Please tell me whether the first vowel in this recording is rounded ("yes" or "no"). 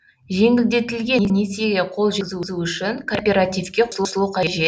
no